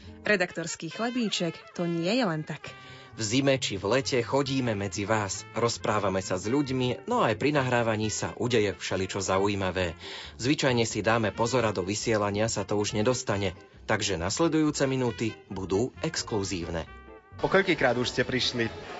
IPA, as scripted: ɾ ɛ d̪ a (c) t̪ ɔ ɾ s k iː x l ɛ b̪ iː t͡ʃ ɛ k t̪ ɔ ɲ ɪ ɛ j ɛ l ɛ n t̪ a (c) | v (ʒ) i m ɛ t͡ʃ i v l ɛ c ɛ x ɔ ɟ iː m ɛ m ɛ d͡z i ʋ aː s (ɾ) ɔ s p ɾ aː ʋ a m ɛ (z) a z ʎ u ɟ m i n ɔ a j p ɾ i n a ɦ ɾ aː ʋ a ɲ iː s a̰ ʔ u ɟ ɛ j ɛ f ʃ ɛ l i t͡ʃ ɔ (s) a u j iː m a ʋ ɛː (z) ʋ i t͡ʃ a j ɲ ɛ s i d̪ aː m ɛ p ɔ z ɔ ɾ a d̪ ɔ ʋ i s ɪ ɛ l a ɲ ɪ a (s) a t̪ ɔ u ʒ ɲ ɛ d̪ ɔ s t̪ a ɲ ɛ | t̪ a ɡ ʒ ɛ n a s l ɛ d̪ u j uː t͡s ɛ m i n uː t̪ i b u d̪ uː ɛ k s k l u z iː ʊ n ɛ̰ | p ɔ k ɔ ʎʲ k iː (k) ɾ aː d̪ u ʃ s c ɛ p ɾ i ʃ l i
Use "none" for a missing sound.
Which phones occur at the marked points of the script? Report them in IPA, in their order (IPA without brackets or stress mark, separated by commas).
k, k, z, ɾ, s, z, z, s, k